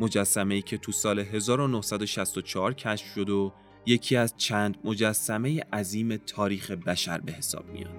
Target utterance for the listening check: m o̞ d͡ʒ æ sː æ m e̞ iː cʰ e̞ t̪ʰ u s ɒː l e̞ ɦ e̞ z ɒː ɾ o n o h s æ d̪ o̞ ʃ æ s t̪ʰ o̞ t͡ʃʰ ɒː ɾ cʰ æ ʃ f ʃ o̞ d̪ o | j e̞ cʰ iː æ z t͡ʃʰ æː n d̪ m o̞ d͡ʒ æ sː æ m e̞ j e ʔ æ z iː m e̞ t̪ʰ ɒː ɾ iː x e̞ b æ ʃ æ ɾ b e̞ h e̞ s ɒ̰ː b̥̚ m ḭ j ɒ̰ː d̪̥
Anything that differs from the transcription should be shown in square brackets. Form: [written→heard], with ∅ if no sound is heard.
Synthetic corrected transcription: m o̞ d͡ʒ æ sː æ m e̞ iː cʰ e̞ t̪ʰ u s ɒː l e̞ ɦ e̞ z ɒː ɾ o n o h s æ d̪ o̞ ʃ æ s [t̪ʰ→t̪] o̞ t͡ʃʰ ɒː ɾ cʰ æ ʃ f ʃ o̞ d̪ o | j e̞ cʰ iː æ z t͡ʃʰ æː n d̪ m o̞ d͡ʒ æ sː æ m e̞ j e ʔ æ z iː m e̞ t̪ʰ ɒː ɾ iː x e̞ b æ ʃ æ ɾ b e̞ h e̞ s ɒ̰ː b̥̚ m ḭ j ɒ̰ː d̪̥